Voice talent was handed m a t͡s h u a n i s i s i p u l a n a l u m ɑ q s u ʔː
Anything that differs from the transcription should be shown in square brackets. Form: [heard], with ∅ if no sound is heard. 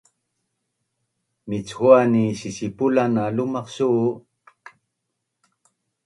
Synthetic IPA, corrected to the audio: m [i] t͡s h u a n i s i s i p u l a n a l u m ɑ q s u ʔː